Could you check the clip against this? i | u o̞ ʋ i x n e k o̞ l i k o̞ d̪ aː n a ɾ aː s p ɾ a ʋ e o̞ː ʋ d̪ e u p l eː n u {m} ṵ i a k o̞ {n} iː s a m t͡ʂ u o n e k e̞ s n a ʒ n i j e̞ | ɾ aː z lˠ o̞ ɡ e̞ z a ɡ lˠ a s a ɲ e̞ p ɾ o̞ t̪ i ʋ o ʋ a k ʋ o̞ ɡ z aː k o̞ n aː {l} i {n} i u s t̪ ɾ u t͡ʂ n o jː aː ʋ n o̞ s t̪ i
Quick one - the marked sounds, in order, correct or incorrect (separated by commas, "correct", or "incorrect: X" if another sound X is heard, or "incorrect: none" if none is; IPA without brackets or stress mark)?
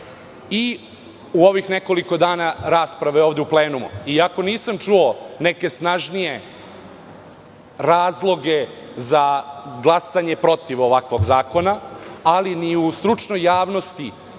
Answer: correct, correct, correct, correct